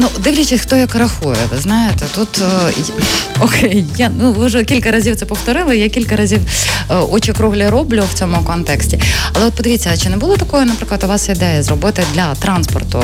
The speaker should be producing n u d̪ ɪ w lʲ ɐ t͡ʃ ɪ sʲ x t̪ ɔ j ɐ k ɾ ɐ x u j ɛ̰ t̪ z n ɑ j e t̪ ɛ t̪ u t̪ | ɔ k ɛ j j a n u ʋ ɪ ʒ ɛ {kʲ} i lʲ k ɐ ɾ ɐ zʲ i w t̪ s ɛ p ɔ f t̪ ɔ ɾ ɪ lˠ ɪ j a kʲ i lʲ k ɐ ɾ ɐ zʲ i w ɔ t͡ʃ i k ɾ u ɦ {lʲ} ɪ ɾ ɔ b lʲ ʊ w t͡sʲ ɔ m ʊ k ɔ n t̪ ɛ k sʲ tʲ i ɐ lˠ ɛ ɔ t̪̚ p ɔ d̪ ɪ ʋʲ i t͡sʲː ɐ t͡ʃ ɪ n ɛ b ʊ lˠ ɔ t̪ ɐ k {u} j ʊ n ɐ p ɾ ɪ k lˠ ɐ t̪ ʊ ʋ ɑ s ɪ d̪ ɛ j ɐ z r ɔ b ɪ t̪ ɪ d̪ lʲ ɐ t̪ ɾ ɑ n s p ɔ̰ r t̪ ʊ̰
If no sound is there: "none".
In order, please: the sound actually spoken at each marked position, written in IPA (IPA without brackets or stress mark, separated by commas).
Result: kʲ, lʲ, ɔ